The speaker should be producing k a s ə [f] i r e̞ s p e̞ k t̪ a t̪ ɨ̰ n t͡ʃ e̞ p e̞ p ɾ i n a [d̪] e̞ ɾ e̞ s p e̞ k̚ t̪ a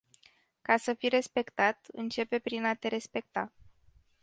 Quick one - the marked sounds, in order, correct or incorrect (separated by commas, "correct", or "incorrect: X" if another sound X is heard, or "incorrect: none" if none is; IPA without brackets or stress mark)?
correct, incorrect: t̪